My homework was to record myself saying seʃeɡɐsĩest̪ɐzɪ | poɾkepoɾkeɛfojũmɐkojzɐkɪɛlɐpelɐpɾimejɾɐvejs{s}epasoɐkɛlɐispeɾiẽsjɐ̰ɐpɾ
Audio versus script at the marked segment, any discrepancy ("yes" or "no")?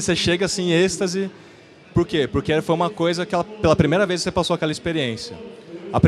no